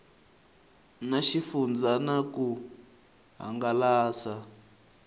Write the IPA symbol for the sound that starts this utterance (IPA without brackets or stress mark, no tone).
n